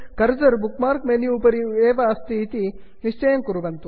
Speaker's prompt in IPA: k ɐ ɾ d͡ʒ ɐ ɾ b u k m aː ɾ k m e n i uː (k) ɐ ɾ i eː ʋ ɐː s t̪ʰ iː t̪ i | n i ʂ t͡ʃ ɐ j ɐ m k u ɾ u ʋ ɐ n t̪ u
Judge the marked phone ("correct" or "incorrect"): incorrect